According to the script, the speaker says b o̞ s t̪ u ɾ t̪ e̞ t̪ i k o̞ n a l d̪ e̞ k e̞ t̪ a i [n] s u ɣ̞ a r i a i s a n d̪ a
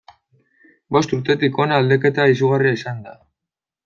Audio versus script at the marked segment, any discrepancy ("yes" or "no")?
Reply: yes